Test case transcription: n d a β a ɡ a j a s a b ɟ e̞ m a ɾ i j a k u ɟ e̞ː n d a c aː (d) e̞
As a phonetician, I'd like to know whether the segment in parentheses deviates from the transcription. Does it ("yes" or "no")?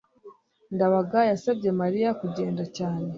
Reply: yes